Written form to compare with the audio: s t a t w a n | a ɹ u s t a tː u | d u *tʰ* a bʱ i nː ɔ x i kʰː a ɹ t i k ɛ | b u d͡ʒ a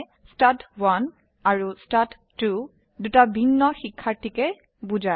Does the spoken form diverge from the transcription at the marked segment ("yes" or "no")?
yes